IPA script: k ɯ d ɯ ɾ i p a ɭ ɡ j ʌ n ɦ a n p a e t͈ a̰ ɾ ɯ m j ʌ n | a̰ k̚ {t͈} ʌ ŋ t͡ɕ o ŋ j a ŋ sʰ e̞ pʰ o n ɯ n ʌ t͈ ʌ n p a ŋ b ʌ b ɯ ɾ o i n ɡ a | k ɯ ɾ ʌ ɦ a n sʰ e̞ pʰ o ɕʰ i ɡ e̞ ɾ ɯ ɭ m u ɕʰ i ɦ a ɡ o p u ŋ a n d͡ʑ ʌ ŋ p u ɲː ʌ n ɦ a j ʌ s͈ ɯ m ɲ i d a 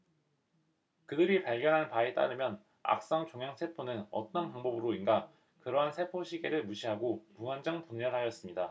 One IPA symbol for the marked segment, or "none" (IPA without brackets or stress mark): s͈